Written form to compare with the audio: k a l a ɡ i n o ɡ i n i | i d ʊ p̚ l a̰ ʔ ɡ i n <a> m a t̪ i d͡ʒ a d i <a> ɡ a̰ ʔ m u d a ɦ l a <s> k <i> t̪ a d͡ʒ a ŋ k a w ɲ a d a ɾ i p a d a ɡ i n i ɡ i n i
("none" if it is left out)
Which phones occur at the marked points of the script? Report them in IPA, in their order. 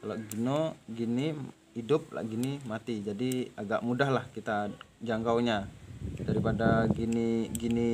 i, a, h, i

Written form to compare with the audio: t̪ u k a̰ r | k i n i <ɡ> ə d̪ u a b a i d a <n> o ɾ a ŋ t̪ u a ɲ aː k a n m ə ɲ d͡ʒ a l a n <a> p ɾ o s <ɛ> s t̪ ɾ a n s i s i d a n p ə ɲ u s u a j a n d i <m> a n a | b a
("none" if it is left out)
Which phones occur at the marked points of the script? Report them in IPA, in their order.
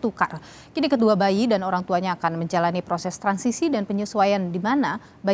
k, n, i, ɛ, m

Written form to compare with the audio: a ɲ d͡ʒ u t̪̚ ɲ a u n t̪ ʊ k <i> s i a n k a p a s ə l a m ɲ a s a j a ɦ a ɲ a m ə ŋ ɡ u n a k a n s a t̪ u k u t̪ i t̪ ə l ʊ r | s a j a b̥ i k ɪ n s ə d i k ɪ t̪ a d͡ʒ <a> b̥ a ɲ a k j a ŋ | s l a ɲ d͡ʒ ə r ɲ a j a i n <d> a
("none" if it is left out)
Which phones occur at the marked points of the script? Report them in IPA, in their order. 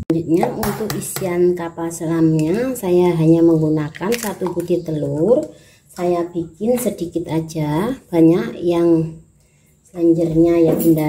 i, a, d

